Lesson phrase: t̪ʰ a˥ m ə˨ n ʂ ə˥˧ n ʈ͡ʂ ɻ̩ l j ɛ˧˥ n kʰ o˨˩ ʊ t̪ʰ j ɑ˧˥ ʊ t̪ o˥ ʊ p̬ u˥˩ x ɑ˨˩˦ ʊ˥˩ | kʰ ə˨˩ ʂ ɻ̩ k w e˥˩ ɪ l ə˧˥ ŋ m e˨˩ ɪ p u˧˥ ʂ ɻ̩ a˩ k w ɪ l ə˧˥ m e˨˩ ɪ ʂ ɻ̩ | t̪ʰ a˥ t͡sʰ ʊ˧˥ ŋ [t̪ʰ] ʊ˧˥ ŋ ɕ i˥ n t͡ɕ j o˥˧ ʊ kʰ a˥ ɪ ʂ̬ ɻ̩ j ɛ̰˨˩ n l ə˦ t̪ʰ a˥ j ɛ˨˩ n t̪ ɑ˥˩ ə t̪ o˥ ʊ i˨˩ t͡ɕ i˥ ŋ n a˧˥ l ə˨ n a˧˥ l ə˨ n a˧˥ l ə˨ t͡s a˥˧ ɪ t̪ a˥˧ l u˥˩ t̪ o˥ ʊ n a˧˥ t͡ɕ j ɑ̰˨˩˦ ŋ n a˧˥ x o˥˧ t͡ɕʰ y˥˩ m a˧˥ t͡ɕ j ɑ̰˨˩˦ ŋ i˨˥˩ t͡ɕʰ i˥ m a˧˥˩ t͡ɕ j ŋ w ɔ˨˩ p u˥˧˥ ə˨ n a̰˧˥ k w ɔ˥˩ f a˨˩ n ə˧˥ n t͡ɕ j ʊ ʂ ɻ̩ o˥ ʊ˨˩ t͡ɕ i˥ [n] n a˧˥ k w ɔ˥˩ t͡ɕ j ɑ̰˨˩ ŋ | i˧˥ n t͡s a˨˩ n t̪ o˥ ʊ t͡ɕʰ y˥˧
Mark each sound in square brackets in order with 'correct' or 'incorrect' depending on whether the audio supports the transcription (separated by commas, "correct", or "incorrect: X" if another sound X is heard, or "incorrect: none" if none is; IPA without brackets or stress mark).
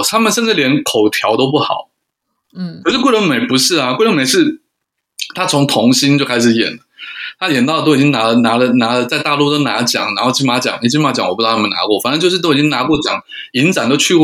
correct, incorrect: ŋ